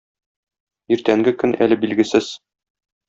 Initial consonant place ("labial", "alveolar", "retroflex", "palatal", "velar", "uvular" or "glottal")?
alveolar